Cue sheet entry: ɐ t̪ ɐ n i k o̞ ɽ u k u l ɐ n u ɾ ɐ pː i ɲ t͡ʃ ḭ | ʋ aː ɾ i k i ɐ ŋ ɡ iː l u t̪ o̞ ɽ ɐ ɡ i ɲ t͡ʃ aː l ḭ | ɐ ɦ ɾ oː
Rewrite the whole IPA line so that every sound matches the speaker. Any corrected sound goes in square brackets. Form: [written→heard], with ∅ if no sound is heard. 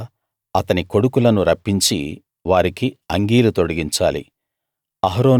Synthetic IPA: ɐ t̪ ɐ n i k o̞ ɽ u k u l ɐ n u ɾ ɐ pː i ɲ t͡ʃ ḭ | ʋ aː ɾ i k i ɐ ŋ ɡ iː l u t̪ o̞ ɽ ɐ ɡ i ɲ t͡ʃ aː l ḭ | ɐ ɦ ɾ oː